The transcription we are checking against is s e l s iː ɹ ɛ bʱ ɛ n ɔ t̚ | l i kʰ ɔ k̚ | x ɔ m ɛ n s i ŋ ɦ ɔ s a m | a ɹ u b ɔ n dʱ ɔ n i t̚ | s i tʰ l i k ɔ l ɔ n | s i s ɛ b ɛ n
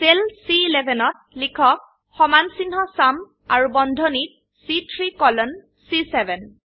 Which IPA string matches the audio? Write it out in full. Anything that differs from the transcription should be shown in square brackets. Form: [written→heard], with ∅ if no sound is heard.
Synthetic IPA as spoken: s e l s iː [ɹ→l] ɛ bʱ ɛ n ɔ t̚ | l i kʰ ɔ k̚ | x ɔ m [ɛ→a] n s i [ŋ→n] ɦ ɔ s a m | a ɹ u b ɔ n dʱ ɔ n i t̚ | s i tʰ [l→ɹ] i k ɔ l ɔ n | s i s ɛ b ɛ n